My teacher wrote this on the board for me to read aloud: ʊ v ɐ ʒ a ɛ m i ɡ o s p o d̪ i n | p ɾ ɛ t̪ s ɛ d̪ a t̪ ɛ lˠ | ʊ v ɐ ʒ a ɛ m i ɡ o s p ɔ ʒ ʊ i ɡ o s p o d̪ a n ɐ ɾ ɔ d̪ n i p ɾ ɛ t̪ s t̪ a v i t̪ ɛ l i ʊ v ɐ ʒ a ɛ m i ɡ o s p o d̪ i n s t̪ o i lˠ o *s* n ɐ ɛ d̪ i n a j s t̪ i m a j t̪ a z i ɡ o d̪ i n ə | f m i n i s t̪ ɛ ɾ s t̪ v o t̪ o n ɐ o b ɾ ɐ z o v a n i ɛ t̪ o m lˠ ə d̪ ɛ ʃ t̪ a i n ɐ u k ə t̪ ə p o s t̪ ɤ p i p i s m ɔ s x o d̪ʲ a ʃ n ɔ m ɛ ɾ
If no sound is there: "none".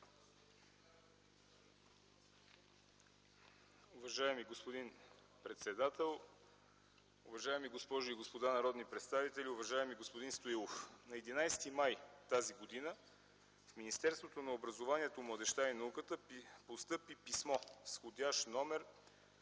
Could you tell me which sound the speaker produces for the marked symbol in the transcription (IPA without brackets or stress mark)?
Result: f